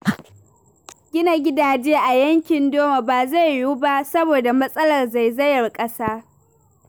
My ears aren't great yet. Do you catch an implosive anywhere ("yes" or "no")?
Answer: no